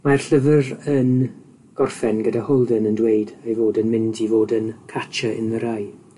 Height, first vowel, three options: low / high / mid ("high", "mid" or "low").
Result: low